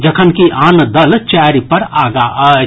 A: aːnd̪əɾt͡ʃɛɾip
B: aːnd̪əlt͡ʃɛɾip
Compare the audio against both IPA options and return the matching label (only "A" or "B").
B